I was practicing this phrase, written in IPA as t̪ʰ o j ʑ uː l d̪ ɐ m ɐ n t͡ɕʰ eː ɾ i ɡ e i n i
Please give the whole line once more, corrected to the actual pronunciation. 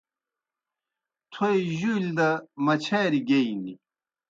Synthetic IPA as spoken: t̪ʰ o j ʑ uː l d̪ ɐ m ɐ t͡ɕʰ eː ɾ i ɡ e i n i

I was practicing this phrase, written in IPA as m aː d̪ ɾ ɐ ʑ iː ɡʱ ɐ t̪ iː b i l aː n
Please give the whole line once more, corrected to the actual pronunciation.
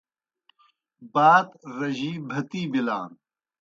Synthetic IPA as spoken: b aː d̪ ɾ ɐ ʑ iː bʱ ɐ t̪ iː b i l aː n

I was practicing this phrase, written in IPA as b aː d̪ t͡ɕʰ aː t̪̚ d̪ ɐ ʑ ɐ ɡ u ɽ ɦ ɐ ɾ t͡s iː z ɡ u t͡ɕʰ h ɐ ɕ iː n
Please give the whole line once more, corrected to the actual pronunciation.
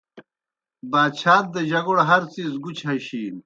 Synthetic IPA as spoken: b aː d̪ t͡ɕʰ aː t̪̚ d̪ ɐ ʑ ɐ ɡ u ɽ ɦ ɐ ɾ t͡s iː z ɡ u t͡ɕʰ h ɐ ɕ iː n

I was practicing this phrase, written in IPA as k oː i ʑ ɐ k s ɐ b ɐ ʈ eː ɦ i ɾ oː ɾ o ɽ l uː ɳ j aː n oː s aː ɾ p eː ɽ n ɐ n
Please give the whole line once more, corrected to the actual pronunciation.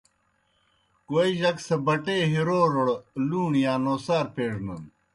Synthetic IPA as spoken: k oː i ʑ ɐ k s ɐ b ɐ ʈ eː ɦ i ɾ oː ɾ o ɽ l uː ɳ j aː n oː s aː ɾ p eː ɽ n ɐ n

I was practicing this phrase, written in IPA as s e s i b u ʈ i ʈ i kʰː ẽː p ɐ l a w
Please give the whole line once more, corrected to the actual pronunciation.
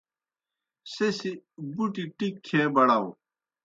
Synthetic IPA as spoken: s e s i b u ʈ i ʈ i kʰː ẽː b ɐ ɽ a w

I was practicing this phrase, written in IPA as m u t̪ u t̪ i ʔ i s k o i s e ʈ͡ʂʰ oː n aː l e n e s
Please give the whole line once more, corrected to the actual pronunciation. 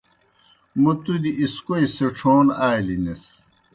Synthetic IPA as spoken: m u t̪ u d̪ i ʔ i s k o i s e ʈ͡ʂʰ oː n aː l i n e s

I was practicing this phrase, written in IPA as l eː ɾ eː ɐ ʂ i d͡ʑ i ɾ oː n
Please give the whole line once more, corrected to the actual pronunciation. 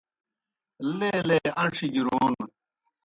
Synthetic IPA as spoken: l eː l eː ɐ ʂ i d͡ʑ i ɾ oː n

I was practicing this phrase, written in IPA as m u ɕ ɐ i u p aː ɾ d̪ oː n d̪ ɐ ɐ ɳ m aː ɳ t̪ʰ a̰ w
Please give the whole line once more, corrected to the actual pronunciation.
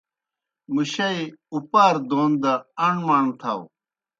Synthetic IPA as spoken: m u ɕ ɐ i u p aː ɾ d̪ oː n d̪ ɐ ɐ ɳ m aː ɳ t̪ʰ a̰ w

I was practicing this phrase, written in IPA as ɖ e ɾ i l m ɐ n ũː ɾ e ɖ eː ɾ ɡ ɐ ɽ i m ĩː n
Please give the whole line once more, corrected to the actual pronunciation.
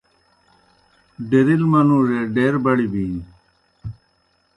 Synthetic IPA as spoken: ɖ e ɾ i l m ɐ n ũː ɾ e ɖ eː ɾ b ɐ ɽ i b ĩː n

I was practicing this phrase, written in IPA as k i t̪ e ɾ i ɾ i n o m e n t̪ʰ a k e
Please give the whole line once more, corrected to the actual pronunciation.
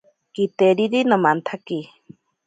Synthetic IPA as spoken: k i t̪ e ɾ i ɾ i n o m a n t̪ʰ a k i

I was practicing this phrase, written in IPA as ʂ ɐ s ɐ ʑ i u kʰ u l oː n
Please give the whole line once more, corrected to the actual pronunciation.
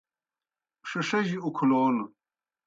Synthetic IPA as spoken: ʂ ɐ ʂ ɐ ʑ i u kʰ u l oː n

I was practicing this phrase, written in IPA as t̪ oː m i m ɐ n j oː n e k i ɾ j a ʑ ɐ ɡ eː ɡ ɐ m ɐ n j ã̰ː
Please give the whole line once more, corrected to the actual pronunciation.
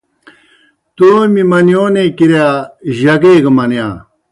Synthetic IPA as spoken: t̪ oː m i m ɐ n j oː n e k i ɾ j a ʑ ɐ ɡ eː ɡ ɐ m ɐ n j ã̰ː

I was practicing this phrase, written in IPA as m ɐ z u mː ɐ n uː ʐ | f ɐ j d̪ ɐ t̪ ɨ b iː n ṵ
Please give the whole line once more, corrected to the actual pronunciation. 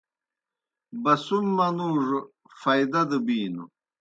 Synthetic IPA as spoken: b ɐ s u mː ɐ n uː ʐ | f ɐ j d̪ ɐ d̪ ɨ b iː n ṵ

